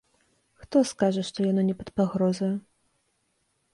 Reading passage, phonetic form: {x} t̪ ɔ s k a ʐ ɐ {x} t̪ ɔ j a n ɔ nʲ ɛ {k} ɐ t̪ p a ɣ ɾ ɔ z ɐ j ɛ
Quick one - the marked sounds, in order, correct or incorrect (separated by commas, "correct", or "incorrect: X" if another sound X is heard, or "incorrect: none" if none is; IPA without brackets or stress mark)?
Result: correct, incorrect: ʂ, incorrect: p